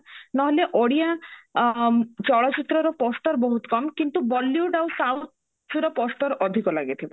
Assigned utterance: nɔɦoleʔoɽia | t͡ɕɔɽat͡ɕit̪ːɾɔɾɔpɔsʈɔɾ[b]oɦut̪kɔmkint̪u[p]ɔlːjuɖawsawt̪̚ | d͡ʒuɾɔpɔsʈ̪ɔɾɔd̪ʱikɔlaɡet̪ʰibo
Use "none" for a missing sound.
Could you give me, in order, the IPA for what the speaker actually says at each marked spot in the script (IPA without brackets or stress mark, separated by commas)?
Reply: b, b